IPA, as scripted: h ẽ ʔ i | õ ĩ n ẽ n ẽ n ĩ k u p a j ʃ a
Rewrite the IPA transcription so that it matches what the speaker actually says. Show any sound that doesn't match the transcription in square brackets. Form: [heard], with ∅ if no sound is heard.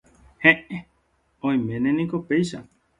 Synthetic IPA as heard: h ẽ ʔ [e] | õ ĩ [m] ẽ n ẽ n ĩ k [o] p [e] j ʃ a